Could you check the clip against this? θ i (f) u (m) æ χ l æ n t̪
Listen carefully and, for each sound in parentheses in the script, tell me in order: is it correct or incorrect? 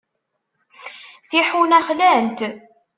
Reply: incorrect: ħ, incorrect: n

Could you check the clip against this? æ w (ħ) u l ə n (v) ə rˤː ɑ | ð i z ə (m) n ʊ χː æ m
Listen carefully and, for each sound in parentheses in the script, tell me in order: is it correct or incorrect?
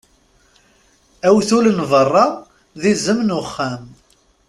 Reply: incorrect: θ, correct, correct

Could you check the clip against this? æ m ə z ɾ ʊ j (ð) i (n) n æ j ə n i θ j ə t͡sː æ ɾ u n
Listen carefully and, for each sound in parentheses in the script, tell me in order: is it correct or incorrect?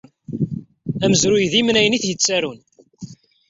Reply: correct, incorrect: m

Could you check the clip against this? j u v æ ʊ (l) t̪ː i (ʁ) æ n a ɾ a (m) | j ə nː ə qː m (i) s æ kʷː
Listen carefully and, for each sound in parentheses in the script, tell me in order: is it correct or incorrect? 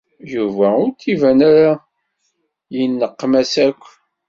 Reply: incorrect: ɾ, incorrect: v, incorrect: none, incorrect: æ

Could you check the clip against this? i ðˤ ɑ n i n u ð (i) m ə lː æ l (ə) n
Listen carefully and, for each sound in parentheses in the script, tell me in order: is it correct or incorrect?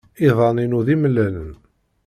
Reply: correct, correct

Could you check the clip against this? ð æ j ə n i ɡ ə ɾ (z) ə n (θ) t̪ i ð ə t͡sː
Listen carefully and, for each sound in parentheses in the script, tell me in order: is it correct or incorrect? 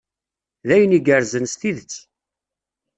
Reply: correct, incorrect: s

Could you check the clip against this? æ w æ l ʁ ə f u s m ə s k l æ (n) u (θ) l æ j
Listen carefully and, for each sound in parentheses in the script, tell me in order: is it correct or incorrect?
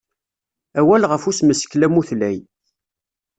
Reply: incorrect: m, correct

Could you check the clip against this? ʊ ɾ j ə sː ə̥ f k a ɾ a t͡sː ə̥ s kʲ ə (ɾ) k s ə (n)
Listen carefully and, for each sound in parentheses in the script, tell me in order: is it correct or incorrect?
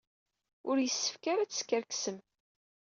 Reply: correct, incorrect: m

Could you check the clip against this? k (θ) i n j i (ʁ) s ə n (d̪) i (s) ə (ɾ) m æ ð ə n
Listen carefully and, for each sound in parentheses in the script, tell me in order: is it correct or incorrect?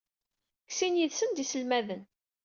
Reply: incorrect: s, incorrect: ð, correct, correct, incorrect: l

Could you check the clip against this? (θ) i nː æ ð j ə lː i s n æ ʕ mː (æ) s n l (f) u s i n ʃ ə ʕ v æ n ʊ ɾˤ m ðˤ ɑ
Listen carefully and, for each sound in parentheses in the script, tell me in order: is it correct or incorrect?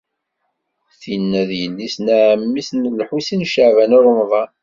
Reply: correct, incorrect: i, incorrect: ħ

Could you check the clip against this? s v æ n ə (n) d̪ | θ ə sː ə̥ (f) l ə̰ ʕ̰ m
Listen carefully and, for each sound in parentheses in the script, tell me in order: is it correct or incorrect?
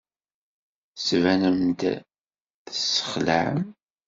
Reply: incorrect: m, incorrect: χ

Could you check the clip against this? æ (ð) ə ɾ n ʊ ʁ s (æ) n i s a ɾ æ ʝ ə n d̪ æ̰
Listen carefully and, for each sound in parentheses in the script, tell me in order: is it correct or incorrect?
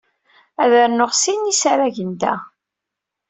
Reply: correct, incorrect: i

